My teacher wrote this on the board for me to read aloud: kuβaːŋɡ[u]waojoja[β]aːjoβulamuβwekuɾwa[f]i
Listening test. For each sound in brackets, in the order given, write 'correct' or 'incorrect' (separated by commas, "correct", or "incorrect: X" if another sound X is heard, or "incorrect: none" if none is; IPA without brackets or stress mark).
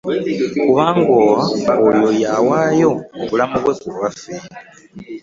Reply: incorrect: o, incorrect: w, correct